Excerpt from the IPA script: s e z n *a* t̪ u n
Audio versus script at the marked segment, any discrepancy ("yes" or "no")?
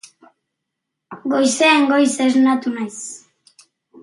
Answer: no